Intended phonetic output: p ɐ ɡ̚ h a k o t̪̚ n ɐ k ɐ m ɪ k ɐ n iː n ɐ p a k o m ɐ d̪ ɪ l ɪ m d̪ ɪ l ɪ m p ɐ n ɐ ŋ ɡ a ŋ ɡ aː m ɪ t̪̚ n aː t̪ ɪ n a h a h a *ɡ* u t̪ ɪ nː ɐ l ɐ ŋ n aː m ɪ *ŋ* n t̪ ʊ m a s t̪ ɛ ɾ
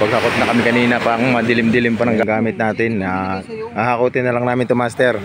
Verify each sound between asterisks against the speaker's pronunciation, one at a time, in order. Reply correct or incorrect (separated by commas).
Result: incorrect, incorrect